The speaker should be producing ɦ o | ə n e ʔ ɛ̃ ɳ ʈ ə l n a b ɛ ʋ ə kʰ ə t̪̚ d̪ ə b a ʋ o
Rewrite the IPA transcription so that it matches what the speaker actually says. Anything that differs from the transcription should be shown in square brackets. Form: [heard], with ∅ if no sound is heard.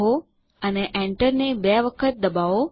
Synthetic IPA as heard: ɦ o | ə n e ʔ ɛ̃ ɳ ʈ ə [ɾ] n [e] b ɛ ʋ ə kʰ ə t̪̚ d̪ ə b a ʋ o